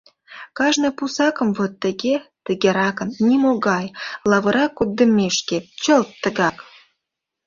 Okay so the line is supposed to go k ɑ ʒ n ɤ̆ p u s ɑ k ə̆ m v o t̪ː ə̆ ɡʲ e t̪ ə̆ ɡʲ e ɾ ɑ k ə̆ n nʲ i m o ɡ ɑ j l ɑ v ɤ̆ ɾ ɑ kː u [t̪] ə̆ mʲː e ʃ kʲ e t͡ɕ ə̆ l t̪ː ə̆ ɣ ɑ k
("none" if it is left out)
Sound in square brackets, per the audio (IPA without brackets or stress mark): d̪